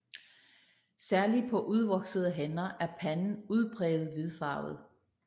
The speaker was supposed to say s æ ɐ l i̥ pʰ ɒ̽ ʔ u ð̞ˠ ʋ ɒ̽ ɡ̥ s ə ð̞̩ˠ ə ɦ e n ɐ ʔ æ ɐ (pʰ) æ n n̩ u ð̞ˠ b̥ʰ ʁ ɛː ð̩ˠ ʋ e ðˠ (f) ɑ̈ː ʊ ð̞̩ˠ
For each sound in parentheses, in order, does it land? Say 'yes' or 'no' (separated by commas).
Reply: yes, yes